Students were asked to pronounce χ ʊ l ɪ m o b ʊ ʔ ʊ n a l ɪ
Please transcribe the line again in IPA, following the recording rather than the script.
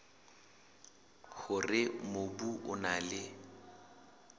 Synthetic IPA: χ ʊ r ɪ m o b u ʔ ʊ n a l ɪ